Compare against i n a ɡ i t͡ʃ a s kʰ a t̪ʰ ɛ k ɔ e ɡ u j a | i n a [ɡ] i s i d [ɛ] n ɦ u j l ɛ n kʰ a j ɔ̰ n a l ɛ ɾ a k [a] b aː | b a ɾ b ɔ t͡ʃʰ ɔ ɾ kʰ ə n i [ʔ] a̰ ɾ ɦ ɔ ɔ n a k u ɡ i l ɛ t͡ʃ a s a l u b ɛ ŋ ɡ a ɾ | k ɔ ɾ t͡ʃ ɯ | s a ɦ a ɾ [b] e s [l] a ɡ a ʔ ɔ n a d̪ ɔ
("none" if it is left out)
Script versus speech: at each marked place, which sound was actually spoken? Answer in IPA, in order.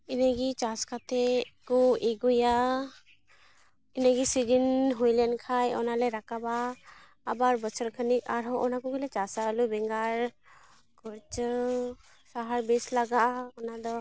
ɡ, i, a, k, b, l

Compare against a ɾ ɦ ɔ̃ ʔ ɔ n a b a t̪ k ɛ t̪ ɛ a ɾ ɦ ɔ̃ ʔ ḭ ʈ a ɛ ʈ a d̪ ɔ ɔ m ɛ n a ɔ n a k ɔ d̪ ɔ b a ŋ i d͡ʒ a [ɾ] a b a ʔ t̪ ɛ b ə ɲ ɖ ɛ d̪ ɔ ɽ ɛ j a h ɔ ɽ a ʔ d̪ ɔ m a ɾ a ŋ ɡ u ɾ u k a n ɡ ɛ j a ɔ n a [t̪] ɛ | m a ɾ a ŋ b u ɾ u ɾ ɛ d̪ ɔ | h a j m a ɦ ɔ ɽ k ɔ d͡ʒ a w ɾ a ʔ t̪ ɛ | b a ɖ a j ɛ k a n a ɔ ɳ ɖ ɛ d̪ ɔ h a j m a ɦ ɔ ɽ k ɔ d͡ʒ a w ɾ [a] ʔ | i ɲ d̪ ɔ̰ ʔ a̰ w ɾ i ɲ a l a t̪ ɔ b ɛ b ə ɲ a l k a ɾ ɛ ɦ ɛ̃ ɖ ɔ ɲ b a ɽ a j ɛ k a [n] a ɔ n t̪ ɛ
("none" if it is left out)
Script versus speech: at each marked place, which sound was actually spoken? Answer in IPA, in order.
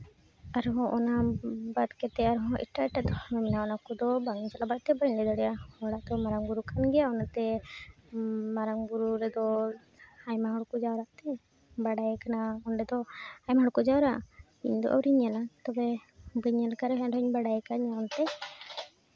l, t̪, a, ɲ

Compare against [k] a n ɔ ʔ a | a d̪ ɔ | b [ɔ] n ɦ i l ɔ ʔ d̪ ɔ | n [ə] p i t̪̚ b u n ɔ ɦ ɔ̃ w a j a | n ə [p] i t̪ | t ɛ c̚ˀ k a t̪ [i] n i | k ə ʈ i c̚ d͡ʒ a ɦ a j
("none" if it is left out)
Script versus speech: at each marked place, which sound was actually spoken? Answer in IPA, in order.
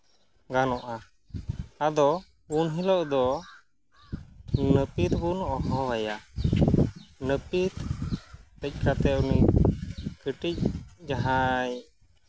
ɡ, u, ə, p, ɛ

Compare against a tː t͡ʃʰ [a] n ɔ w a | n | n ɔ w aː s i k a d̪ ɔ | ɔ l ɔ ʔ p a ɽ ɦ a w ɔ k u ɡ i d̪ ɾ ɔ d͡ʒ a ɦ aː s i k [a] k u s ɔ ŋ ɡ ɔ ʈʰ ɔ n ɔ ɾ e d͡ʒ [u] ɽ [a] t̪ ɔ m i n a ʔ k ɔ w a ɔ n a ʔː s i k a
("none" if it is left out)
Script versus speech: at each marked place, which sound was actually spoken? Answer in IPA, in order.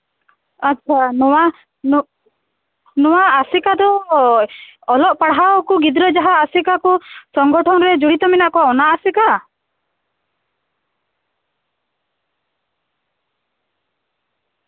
a, a, u, i

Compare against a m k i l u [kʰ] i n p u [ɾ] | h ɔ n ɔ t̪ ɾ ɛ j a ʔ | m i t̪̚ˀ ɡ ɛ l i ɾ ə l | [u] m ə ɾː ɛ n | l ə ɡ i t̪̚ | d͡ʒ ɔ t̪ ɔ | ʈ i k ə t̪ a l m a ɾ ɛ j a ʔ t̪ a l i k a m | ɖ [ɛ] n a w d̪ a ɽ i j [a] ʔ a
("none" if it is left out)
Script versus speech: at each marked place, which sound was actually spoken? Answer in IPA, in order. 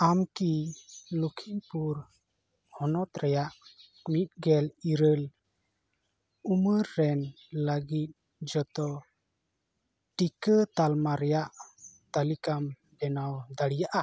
kʰ, ɾ, u, ɛ, a

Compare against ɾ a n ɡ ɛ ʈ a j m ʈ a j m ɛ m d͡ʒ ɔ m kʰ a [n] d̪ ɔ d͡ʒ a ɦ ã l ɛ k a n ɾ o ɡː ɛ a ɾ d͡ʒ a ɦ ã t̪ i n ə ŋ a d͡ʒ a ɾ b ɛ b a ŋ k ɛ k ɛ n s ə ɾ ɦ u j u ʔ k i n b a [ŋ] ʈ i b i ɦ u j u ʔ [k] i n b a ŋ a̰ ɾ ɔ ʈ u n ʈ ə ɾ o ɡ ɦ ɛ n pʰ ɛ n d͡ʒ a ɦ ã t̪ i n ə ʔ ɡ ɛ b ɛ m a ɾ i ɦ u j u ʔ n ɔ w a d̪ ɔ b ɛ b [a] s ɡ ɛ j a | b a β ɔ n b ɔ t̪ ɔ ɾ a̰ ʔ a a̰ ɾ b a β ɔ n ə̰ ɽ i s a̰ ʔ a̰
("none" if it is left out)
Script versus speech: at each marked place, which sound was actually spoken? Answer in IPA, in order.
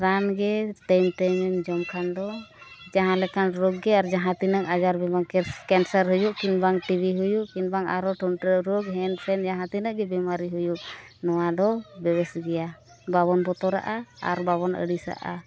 n, ŋ, k, ɛ

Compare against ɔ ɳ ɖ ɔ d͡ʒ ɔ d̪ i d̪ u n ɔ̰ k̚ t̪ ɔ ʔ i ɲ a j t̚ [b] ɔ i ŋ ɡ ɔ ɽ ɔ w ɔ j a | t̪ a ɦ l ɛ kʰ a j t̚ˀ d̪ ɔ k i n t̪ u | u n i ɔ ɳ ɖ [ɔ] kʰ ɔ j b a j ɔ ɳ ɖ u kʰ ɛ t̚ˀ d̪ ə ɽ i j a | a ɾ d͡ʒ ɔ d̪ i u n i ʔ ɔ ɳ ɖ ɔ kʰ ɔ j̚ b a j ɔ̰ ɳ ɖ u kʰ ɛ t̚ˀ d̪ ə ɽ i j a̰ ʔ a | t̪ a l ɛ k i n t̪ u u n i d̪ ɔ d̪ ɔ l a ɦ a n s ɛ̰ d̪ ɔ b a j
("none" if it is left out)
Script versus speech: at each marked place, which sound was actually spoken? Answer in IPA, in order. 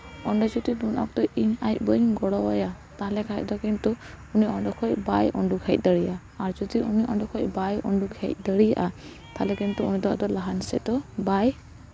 b, ɔ

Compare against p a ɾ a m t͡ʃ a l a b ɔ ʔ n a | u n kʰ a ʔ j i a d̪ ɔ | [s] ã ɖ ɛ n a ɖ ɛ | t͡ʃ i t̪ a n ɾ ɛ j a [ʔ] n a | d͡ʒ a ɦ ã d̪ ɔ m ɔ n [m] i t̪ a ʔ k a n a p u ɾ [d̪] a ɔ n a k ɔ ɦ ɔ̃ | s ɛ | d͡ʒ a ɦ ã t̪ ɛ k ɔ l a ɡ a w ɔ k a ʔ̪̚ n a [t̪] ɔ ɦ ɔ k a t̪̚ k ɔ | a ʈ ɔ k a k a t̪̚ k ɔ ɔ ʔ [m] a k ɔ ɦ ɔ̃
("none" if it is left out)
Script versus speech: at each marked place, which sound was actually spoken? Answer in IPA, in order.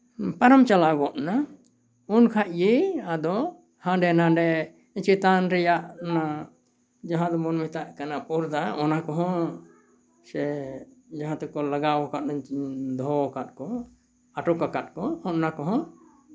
h, ʔ, m, d̪, d̪, n

